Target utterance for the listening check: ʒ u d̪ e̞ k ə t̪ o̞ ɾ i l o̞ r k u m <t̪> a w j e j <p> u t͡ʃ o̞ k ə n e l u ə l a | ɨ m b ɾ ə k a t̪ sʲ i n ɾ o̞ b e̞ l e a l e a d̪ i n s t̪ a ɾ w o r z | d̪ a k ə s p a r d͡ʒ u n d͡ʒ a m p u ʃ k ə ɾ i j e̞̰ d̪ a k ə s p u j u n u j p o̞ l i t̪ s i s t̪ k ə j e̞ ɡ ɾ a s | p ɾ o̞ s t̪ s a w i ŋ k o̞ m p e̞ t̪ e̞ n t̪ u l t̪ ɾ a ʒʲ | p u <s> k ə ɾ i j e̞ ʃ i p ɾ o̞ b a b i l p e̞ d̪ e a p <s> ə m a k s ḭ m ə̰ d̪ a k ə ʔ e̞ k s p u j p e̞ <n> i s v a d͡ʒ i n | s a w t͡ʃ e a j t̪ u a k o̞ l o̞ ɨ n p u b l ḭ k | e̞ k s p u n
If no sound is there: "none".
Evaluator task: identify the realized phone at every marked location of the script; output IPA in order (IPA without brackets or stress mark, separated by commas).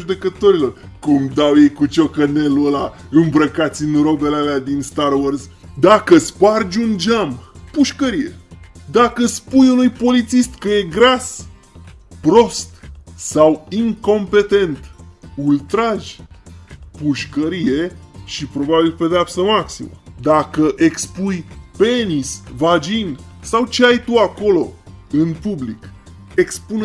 d̪, k, ʃ, s, n